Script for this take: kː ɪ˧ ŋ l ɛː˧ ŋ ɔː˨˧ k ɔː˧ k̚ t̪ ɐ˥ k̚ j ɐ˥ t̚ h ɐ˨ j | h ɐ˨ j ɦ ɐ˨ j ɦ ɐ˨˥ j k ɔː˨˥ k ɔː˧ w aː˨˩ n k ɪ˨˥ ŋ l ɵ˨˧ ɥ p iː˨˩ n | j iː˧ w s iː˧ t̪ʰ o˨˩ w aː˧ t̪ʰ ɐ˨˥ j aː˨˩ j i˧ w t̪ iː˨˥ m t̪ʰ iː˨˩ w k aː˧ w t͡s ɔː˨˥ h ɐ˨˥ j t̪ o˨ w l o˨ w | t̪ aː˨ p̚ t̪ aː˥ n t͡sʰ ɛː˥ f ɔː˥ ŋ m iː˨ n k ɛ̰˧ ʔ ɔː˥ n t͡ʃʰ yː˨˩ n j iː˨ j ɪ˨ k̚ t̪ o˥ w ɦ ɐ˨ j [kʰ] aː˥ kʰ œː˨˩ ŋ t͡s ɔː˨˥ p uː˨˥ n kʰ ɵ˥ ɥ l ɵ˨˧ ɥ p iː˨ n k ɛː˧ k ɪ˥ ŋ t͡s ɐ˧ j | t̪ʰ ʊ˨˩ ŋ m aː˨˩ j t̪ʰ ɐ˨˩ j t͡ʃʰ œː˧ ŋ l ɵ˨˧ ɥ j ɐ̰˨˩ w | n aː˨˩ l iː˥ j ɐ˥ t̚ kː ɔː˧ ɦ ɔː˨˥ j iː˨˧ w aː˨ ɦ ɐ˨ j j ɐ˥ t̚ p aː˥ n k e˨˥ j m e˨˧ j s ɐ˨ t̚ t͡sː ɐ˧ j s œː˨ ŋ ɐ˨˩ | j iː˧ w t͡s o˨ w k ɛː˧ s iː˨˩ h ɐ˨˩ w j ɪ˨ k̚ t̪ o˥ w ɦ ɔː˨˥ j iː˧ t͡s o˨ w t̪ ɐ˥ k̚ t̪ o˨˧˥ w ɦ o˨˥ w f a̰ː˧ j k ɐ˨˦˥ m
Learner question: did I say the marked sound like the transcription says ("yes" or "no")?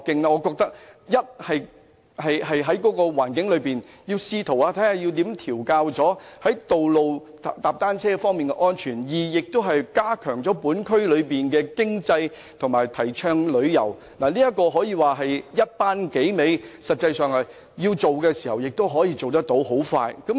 no